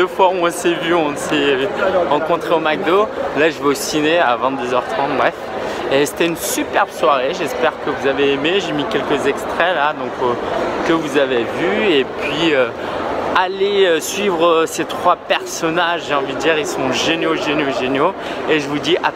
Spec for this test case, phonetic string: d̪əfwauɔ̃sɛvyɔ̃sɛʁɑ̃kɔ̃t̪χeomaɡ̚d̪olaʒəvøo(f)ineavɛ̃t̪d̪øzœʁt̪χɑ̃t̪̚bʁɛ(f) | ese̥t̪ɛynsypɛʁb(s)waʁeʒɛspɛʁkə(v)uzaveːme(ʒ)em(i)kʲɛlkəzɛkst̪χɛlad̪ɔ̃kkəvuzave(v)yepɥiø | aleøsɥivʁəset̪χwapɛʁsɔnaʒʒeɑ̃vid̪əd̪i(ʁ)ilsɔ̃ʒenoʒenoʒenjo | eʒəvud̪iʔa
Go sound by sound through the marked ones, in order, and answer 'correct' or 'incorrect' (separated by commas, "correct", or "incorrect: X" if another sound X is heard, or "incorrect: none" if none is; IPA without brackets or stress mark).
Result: incorrect: s, correct, correct, correct, correct, correct, correct, correct